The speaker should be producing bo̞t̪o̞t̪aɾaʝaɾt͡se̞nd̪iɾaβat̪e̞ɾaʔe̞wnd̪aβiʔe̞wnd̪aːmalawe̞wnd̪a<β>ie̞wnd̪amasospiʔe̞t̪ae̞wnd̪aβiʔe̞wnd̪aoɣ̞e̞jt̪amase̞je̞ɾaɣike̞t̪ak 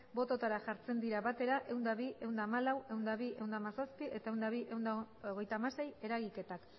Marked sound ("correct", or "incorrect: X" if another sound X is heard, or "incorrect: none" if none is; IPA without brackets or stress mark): correct